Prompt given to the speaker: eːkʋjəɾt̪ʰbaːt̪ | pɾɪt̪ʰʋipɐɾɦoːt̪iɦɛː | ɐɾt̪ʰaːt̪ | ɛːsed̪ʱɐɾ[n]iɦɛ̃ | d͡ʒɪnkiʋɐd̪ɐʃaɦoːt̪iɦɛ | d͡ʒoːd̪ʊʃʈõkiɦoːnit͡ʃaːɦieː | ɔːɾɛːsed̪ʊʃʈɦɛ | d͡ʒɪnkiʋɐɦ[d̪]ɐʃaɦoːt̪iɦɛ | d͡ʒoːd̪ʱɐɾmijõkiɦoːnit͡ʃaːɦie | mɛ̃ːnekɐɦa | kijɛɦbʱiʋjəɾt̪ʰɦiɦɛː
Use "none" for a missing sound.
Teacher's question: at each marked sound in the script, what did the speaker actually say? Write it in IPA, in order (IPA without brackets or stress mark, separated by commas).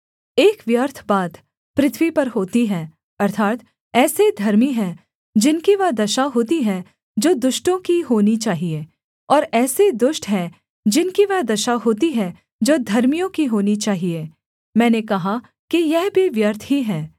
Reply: m, d̪